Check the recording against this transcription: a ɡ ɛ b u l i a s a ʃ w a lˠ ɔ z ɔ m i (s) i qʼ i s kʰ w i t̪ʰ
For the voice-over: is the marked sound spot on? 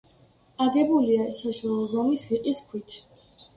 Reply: yes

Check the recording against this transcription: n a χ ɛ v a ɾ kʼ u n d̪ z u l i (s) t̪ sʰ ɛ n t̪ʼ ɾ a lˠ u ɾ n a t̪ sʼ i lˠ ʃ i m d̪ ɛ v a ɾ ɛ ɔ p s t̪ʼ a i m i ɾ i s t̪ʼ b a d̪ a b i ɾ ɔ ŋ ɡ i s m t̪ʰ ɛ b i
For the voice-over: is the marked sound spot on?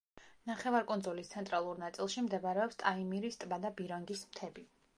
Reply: yes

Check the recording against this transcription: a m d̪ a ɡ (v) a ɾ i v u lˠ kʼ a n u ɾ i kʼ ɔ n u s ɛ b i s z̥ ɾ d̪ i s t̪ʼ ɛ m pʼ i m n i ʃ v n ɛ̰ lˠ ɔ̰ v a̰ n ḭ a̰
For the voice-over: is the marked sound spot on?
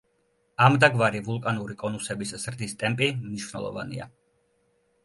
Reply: yes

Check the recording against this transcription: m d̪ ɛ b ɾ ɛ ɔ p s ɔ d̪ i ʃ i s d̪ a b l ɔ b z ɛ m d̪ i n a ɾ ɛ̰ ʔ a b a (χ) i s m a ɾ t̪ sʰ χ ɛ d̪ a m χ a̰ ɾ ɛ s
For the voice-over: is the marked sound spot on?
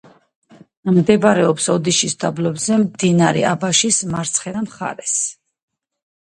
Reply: no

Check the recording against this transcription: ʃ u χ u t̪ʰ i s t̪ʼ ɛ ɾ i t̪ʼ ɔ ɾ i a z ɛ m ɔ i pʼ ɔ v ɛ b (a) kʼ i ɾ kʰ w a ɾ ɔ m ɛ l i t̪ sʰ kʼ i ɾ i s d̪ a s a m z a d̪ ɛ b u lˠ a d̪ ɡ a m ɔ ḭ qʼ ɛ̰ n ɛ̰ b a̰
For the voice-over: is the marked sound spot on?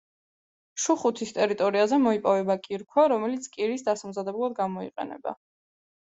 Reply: yes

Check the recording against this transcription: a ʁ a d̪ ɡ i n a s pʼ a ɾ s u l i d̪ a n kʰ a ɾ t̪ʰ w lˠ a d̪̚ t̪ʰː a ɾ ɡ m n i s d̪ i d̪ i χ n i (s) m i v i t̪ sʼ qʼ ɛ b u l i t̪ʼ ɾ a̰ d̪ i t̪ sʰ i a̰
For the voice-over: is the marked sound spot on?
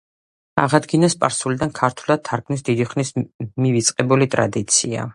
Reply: yes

